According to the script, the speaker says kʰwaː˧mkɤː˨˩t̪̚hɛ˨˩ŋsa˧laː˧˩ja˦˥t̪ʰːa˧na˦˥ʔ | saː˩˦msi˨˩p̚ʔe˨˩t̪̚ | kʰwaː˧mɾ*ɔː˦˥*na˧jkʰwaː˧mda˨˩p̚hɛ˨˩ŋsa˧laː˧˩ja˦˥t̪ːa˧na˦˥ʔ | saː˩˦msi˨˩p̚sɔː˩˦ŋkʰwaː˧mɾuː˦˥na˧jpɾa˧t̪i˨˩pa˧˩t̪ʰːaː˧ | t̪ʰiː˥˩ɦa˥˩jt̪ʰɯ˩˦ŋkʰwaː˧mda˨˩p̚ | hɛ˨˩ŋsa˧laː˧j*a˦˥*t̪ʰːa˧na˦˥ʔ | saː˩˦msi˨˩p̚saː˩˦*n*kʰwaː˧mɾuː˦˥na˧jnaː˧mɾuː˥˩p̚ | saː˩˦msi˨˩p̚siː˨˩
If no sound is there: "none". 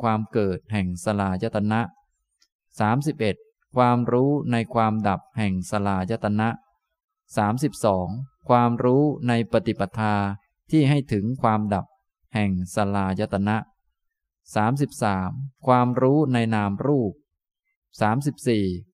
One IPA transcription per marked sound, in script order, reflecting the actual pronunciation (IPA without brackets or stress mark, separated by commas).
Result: uː˦˥, a˦˥, m